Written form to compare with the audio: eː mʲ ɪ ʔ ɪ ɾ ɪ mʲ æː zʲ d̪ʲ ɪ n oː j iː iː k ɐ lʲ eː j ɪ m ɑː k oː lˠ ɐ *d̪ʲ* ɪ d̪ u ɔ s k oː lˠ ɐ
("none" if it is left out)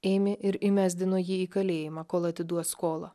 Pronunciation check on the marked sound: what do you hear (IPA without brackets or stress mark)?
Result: t̪ʲ